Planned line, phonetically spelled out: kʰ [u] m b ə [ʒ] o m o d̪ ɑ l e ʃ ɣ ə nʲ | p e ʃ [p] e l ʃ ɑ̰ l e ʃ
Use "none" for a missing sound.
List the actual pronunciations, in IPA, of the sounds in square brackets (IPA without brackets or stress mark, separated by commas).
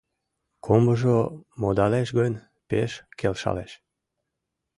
o, ʒ, k